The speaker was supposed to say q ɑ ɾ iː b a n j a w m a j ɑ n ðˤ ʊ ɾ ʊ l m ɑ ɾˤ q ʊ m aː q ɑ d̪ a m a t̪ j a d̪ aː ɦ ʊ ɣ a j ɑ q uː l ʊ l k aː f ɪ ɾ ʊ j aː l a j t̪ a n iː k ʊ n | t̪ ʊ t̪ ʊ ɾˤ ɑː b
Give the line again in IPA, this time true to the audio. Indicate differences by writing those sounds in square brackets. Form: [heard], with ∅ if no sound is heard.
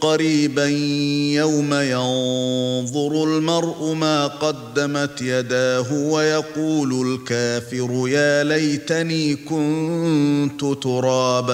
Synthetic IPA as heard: q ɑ ɾ iː b a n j a w m a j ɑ n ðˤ ʊ ɾ ʊ l m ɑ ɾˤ [ʔ] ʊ m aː q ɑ [d̪ː] a m a t̪ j a d̪ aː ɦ ʊ [w] a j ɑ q uː l ʊ l k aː f ɪ ɾ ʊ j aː l a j t̪ a n iː k ʊ n | t̪ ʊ t̪ ʊ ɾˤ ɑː b